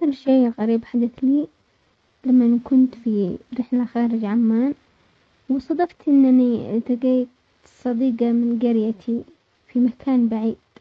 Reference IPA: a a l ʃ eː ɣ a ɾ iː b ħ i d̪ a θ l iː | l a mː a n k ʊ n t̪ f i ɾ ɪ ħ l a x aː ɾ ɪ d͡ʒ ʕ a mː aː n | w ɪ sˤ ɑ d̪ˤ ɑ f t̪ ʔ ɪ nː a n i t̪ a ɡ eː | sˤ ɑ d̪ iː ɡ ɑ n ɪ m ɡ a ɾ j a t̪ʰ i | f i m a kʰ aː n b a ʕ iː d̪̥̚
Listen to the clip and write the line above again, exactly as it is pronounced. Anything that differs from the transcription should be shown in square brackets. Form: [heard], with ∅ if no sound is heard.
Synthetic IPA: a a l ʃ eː ɣ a ɾ iː b ħ [a] d̪ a θ l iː | l a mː a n k ʊ n t̪ f i ɾ ɪ ħ l a x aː ɾ ɪ d͡ʒ ʕ a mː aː n | w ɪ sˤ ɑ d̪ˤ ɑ f t̪ ʔ ɪ nː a n i t̪ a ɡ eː | sˤ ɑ d̪ iː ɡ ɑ [m] ɪ [n] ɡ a ɾ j a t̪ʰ i | f i m a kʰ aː n b a ʕ iː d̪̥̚